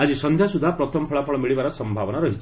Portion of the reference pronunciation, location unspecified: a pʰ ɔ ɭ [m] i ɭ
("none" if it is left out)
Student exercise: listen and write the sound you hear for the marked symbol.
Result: m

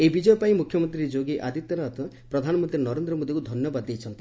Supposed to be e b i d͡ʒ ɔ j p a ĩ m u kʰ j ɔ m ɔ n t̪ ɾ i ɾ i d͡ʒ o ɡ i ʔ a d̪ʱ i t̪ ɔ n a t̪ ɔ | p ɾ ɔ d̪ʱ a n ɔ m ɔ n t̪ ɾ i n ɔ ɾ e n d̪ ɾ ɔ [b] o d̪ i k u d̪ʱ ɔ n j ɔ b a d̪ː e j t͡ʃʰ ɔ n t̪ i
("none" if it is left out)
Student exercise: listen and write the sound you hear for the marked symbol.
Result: m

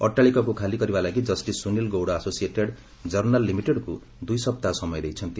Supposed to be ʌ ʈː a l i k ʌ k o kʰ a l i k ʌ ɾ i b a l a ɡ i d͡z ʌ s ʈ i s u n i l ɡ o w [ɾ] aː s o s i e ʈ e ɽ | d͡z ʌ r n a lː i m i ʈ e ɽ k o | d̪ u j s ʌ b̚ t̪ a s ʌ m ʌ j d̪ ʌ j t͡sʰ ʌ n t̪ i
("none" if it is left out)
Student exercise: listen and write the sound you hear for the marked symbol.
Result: ɽ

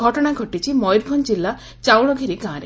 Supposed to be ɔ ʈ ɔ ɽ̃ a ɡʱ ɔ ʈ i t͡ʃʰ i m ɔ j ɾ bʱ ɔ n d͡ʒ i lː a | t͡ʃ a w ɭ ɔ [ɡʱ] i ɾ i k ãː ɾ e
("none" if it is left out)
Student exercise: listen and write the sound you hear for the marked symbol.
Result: ɡʱ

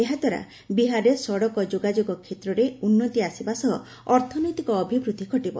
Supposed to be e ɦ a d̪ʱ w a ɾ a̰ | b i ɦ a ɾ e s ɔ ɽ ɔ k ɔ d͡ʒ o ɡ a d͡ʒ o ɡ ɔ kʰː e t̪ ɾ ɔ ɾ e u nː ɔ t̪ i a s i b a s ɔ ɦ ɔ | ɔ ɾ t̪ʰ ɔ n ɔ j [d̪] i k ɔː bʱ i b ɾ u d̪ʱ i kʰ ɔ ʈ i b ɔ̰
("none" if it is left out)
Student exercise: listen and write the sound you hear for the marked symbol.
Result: t̪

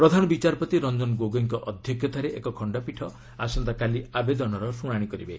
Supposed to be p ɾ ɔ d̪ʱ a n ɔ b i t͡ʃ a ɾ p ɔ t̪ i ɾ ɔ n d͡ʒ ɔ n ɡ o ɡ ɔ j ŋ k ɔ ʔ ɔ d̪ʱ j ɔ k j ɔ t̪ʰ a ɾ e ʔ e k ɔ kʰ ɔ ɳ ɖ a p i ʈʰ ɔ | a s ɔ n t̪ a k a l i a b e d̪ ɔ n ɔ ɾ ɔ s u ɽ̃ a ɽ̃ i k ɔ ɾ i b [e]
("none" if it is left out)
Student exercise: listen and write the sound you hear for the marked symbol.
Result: e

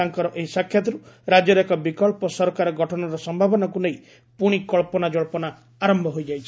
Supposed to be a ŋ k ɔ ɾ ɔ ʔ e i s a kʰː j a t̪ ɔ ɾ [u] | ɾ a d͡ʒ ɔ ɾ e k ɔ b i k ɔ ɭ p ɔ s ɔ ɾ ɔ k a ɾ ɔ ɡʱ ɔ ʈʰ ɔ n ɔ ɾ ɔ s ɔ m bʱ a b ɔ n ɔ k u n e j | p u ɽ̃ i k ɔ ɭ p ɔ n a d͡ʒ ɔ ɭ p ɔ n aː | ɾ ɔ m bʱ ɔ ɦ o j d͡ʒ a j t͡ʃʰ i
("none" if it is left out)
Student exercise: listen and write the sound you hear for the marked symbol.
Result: u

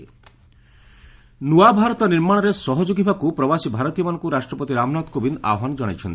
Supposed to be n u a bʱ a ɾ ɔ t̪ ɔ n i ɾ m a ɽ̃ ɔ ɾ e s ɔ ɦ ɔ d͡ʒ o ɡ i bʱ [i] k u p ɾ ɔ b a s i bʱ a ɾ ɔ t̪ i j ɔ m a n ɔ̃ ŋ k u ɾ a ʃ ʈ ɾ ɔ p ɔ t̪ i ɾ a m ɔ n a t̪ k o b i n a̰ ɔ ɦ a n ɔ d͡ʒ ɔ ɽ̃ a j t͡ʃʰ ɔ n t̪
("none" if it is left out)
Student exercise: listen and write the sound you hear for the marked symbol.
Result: a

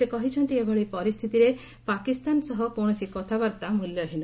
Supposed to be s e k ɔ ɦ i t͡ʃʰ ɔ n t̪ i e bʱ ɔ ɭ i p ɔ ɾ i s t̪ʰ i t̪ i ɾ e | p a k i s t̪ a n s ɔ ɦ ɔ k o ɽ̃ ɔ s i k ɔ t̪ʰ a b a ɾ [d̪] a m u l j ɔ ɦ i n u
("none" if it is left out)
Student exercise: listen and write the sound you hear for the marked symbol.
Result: t̪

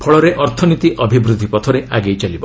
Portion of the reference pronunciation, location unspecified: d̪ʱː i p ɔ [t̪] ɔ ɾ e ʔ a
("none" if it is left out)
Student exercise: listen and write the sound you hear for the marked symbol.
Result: t̪ʰ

